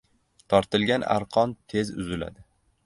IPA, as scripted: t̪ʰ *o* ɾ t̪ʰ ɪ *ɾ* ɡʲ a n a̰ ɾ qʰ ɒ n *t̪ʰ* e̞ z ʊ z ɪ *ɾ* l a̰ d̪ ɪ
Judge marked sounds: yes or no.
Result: no, no, yes, no

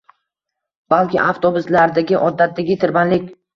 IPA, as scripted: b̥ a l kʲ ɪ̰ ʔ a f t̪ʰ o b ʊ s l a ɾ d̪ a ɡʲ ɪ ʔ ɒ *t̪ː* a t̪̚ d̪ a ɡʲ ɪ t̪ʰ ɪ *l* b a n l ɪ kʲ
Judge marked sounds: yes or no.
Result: no, no

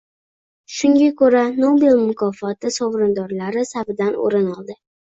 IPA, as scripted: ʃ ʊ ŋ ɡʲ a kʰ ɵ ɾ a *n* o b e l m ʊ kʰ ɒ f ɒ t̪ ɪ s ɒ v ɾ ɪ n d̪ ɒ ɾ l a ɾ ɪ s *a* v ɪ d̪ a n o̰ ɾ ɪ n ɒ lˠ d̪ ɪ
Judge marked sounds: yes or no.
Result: yes, yes

